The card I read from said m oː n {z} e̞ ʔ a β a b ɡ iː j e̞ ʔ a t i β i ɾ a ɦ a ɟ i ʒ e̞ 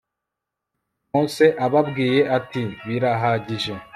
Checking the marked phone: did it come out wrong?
yes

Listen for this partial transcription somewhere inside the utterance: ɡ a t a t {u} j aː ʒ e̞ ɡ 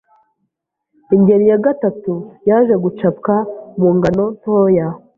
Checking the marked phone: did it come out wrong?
no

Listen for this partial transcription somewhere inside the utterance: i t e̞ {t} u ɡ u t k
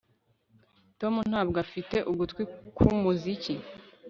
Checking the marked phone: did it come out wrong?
yes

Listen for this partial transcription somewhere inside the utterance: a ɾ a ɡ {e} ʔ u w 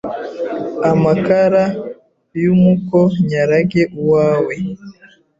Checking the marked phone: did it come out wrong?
no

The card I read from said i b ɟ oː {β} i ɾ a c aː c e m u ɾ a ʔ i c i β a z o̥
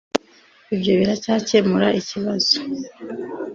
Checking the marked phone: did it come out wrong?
no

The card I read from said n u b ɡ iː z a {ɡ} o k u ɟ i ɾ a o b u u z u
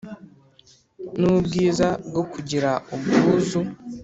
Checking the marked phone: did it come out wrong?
no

